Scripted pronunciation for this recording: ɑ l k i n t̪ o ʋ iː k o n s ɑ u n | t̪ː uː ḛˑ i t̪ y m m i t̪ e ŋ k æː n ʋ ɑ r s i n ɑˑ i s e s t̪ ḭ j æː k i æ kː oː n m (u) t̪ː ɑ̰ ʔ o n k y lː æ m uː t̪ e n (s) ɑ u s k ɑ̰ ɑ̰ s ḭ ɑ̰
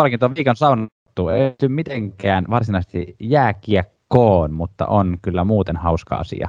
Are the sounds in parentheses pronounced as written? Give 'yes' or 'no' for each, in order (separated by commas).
yes, no